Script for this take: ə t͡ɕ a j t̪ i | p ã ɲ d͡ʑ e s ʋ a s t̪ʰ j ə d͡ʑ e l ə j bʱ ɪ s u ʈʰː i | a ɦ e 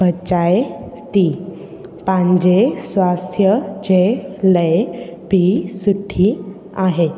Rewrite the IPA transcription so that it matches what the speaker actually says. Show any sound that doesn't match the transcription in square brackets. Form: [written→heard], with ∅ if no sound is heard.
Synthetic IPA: ə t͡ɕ a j t̪ i | p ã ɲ d͡ʑ e s ʋ a s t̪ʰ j ə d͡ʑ e l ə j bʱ [ɪ→i] s u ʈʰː i | a ɦ e